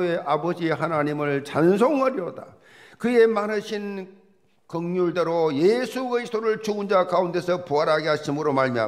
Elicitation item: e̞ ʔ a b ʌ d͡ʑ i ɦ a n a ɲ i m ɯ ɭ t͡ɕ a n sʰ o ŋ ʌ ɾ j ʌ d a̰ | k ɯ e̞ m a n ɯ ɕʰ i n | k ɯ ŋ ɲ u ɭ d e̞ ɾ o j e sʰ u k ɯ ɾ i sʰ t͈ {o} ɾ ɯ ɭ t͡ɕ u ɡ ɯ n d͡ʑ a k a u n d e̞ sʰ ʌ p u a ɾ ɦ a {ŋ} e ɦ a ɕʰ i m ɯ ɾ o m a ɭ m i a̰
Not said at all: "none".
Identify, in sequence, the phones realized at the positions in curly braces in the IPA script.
o, ɡ

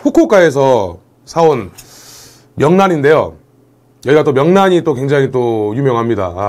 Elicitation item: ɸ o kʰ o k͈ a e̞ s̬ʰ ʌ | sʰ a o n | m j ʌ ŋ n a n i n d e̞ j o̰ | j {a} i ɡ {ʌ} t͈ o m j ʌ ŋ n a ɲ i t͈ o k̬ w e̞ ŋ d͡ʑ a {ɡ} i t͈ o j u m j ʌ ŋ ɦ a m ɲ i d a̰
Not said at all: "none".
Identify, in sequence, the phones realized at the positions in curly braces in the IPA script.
ʌ, a, ŋ

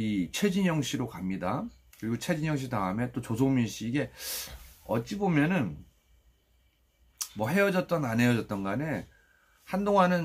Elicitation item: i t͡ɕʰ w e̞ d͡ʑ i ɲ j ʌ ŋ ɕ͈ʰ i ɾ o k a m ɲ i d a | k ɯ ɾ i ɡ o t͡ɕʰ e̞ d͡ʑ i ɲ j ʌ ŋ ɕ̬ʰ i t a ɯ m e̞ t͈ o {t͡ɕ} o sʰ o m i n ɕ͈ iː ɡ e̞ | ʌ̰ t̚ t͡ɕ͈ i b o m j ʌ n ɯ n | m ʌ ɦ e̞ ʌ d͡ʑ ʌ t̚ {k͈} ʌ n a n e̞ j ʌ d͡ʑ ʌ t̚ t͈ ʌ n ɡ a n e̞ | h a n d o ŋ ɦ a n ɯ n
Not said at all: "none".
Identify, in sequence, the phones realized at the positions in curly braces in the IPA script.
t͡ɕ, t͈

